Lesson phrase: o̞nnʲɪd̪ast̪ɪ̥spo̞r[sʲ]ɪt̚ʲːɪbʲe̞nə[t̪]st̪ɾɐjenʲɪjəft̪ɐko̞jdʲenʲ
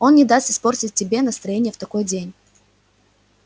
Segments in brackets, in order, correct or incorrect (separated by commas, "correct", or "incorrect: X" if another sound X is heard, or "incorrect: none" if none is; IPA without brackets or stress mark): incorrect: tʲ, incorrect: none